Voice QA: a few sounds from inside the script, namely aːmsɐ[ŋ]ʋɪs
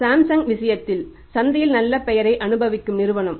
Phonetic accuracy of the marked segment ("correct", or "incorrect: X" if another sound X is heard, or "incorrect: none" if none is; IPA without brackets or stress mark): correct